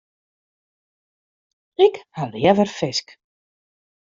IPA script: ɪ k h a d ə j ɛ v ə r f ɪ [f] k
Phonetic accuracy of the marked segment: incorrect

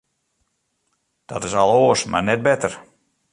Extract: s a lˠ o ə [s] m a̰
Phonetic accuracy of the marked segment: correct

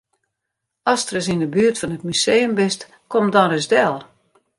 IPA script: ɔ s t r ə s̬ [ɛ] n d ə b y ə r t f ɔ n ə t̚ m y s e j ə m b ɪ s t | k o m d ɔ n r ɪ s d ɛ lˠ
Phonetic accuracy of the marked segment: incorrect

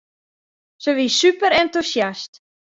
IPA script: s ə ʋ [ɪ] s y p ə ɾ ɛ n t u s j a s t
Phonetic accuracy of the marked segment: incorrect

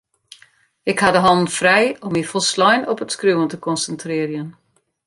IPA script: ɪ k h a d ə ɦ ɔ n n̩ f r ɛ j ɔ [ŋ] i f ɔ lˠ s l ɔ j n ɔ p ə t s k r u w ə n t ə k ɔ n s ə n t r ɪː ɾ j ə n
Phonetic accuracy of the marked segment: incorrect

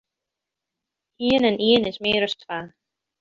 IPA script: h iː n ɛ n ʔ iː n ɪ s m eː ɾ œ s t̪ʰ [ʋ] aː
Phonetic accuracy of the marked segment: incorrect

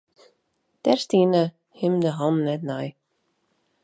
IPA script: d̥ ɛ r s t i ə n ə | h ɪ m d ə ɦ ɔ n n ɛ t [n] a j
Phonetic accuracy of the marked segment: correct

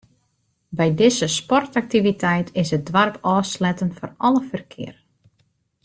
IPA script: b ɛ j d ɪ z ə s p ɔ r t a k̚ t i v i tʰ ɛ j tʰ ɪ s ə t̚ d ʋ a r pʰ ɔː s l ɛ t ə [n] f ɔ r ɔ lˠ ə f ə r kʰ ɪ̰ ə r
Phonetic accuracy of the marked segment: correct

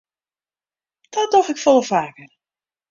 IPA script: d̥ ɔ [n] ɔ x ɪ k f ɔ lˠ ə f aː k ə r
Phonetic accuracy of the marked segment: incorrect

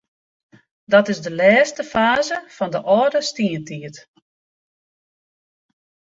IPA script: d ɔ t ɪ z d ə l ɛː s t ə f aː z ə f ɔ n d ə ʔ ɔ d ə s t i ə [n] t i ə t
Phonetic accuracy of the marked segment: correct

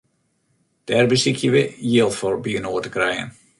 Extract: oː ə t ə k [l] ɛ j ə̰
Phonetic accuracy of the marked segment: incorrect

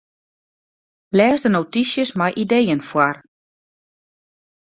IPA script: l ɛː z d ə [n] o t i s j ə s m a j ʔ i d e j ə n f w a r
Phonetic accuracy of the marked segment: correct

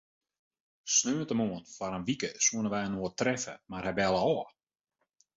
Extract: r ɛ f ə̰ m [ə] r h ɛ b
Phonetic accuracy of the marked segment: incorrect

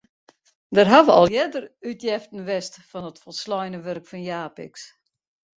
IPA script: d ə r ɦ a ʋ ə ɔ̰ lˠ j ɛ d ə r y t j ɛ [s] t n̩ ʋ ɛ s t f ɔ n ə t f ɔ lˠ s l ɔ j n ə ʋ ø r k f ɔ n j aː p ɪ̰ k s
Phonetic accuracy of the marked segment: incorrect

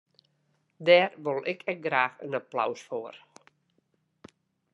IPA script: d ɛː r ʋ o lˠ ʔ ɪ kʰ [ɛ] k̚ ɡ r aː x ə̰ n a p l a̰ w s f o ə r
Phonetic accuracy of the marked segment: correct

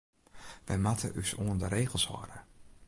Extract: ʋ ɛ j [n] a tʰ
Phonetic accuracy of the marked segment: incorrect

